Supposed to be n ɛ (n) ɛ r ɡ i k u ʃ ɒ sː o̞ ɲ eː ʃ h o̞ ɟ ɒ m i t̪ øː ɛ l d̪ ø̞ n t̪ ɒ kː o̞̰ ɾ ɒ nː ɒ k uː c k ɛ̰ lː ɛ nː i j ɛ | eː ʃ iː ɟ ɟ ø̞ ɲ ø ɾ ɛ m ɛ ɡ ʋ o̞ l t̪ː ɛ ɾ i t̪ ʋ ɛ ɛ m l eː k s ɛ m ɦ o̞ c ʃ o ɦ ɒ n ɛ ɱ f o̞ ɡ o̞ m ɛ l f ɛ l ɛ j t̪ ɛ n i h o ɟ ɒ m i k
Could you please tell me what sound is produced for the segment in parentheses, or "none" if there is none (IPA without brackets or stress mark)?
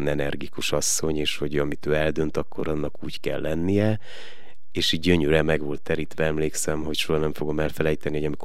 n